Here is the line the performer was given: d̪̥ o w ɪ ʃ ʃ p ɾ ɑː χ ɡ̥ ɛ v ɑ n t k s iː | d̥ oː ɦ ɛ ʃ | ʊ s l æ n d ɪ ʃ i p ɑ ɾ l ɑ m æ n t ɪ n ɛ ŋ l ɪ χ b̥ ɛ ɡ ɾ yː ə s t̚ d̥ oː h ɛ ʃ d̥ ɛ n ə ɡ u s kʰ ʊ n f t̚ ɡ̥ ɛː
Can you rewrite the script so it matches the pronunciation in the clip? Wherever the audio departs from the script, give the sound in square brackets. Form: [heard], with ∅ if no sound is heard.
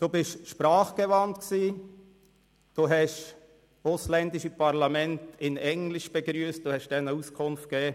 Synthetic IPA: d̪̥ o [b] ɪ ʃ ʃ p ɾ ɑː χ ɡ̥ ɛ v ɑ n t k s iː | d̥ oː ɦ ɛ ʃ | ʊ s l [ɛ] n d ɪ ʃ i p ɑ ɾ l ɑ m [ɛ] n t ɪ n ɛ ŋ l ɪ [ʃ] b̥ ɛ ɡ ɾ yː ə s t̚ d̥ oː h ɛ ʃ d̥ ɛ n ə [∅] u s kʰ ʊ n f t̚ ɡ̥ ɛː